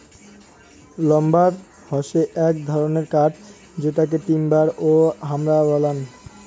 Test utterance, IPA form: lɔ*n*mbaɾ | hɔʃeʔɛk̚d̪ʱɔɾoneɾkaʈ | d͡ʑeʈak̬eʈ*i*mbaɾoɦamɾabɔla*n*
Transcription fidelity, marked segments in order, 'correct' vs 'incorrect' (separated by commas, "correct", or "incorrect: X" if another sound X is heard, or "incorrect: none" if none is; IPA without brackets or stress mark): incorrect: none, correct, correct